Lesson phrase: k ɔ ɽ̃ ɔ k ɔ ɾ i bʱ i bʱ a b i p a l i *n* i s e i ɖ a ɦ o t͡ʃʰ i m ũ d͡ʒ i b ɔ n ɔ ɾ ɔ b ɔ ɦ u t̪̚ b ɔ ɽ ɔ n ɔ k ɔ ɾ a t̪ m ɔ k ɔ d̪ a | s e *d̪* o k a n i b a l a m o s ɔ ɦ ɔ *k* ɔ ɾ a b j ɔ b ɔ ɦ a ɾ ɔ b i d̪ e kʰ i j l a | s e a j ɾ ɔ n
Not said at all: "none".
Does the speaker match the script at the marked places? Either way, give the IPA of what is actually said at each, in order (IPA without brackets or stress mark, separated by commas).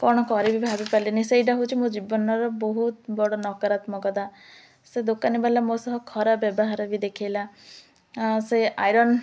n, d̪, kʰ